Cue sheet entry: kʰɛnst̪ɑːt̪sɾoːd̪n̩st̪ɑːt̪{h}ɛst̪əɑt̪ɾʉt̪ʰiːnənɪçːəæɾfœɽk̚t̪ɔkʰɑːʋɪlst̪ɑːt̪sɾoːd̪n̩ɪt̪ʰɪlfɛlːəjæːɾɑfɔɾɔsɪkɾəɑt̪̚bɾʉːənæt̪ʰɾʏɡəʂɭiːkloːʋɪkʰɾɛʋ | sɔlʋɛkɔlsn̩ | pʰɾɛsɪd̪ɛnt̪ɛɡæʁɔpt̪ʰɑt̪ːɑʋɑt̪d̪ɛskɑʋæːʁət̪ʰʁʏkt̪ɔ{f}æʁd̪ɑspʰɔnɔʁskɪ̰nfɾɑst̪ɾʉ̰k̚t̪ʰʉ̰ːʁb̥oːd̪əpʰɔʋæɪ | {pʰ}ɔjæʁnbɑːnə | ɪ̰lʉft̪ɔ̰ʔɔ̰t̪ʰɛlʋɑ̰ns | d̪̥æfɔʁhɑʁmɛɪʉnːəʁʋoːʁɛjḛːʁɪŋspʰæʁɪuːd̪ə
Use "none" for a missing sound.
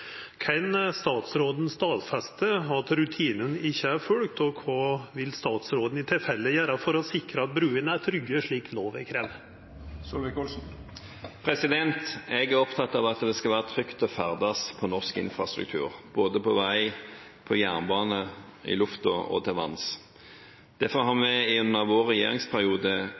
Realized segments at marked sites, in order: f, f, pʰ

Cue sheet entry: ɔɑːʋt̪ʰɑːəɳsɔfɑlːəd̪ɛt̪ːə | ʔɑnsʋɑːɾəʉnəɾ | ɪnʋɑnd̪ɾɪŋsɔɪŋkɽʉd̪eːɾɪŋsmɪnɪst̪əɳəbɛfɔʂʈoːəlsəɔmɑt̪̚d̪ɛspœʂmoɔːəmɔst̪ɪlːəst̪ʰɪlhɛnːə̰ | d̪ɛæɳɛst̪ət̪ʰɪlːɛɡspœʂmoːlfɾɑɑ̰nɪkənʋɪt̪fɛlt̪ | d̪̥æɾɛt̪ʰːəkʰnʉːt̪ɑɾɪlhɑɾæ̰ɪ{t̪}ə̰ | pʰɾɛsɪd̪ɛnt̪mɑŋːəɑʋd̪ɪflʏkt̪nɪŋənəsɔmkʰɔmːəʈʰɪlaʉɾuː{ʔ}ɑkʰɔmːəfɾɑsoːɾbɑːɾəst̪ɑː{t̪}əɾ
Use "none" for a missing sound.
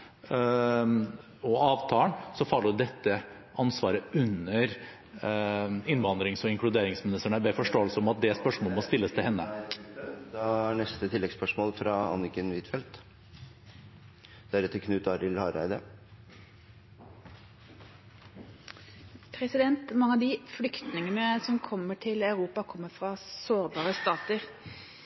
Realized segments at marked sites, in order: d̪, p, t̪

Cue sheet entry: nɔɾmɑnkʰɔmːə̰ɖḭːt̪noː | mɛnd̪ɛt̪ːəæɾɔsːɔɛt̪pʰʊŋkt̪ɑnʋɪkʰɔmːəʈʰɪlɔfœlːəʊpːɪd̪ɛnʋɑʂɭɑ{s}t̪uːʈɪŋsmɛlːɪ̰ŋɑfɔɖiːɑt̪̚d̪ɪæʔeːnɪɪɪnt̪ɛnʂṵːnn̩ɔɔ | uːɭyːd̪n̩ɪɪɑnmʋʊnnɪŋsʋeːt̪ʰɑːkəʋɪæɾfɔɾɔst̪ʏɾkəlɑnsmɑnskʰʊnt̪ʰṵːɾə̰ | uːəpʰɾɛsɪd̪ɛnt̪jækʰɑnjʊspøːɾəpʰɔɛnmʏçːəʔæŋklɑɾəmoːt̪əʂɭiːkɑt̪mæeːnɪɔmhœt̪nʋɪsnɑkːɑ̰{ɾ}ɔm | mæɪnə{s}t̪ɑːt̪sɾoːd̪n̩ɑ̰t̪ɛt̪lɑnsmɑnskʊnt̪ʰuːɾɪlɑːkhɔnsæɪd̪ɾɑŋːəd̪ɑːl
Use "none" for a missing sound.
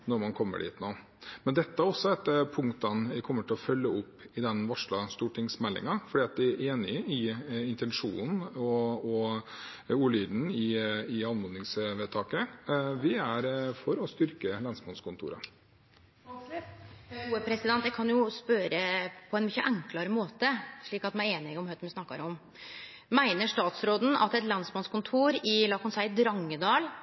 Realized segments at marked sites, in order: s, ɾ, ʂ

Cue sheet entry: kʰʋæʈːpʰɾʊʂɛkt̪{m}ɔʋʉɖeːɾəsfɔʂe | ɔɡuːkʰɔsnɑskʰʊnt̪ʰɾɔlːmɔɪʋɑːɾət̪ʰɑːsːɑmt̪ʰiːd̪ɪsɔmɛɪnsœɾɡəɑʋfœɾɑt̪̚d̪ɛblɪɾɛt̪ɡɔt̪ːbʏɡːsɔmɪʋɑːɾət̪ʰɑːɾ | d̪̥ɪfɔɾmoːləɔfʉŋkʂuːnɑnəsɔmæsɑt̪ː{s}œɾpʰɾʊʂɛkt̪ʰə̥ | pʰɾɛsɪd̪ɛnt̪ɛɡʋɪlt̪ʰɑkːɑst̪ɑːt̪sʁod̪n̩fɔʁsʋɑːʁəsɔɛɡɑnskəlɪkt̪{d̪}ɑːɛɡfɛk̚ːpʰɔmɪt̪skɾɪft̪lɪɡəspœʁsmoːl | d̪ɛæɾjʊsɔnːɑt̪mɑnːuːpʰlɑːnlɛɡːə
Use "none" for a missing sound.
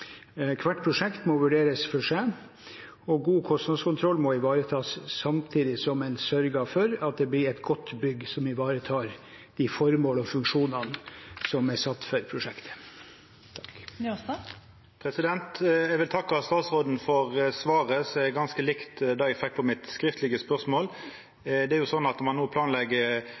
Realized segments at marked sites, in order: m, f, d̪

